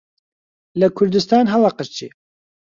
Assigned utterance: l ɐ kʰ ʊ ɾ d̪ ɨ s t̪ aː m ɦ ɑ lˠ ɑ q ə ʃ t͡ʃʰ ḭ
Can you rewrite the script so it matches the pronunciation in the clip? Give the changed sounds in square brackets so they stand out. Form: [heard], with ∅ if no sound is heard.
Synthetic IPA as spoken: l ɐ kʰ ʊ ɾ d̪ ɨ s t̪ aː [n] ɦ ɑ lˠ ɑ q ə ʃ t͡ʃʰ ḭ